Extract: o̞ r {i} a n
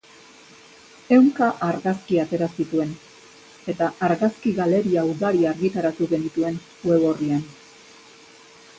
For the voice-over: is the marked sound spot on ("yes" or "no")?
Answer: yes